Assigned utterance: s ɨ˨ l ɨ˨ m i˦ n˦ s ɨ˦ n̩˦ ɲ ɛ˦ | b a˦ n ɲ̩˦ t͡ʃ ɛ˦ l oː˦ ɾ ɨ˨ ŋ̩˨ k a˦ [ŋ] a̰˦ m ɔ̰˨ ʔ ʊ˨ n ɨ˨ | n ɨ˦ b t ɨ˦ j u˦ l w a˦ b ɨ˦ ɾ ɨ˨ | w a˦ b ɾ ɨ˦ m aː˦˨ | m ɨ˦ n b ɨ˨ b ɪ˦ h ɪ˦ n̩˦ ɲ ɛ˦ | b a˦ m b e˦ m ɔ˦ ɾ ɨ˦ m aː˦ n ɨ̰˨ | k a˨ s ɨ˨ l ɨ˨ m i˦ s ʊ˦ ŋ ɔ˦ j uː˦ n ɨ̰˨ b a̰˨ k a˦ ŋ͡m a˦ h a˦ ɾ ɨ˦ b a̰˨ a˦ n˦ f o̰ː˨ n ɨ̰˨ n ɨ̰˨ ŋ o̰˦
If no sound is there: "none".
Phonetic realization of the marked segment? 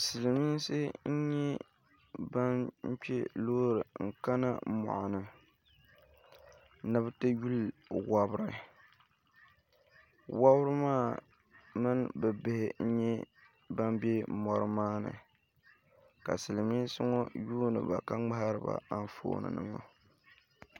n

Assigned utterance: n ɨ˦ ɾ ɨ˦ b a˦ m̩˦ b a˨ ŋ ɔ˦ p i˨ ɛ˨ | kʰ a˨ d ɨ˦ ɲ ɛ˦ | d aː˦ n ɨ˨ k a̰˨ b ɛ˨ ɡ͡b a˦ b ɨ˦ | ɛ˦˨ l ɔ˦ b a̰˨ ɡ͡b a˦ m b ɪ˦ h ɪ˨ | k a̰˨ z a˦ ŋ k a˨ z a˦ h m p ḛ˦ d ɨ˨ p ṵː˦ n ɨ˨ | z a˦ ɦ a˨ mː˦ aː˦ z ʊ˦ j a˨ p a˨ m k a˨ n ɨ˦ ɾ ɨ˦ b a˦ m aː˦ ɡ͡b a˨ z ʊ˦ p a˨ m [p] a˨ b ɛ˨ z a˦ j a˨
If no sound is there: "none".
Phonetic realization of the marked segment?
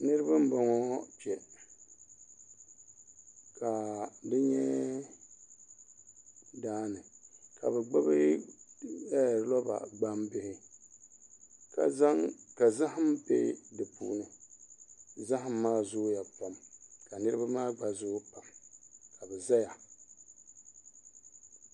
k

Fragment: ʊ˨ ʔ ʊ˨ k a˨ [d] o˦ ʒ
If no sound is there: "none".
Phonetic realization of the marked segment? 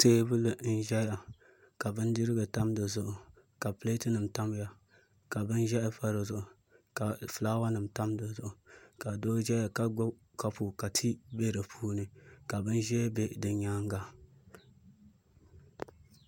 d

